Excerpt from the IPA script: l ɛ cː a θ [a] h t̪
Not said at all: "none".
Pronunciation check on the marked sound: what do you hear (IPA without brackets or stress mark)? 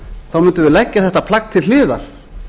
ɛ